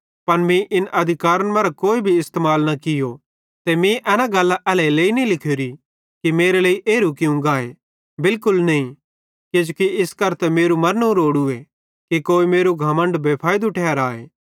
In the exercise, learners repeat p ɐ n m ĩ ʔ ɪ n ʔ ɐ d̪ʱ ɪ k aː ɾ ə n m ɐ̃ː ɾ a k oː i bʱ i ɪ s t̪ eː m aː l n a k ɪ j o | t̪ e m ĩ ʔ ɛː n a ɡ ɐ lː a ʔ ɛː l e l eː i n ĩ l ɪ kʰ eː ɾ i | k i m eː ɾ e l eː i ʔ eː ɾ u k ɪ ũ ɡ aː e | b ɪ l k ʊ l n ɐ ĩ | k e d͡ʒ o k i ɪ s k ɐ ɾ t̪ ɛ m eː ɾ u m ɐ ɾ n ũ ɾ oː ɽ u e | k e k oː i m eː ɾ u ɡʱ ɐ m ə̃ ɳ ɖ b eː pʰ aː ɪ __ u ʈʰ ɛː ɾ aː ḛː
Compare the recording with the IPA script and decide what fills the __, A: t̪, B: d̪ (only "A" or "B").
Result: B